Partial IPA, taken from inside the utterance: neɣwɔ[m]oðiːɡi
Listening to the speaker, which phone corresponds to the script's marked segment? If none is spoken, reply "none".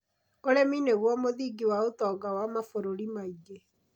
m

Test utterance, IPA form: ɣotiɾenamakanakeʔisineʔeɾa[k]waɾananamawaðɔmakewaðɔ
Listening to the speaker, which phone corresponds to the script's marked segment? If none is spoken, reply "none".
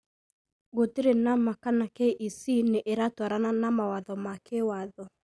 t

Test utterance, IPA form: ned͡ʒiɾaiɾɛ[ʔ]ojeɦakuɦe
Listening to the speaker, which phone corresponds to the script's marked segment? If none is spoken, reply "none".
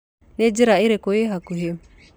k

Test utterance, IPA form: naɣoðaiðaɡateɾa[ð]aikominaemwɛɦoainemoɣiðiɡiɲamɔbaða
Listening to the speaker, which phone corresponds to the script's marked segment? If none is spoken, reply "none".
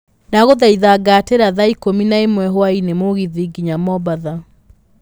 ð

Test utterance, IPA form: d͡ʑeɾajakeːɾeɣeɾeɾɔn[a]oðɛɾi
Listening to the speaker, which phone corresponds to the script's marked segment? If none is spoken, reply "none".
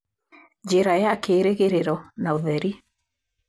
a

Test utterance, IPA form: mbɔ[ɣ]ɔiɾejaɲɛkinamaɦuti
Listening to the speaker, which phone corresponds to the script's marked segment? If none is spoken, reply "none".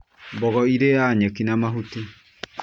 ɣ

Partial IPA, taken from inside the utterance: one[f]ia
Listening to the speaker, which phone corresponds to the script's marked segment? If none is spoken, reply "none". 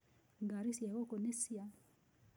s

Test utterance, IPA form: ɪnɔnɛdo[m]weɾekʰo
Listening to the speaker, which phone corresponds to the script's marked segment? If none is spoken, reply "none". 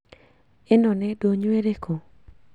ɲ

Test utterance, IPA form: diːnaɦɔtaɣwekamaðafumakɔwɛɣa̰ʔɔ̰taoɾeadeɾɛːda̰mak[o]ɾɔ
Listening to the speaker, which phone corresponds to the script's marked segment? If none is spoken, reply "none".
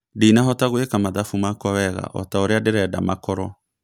ɔ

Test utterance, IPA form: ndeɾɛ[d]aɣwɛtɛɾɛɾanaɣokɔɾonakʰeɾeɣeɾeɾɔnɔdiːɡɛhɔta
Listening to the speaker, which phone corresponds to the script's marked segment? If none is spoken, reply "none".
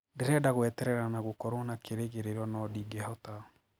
d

